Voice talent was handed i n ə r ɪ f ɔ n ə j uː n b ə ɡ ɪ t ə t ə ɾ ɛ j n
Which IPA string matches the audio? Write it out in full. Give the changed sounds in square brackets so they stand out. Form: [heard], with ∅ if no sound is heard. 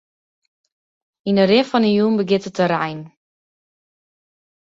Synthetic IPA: i n ə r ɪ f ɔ n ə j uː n b ə ɡ ɪ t ə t ə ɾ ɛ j n